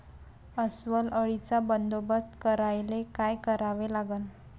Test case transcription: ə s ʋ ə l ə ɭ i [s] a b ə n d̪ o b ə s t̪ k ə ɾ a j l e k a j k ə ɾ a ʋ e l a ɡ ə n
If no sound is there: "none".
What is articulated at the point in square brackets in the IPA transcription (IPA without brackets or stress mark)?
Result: t͡s